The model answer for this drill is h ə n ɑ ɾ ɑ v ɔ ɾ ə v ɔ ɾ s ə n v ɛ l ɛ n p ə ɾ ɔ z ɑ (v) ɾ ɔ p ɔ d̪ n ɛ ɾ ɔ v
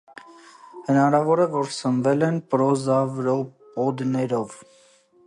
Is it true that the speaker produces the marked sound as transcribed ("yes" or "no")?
yes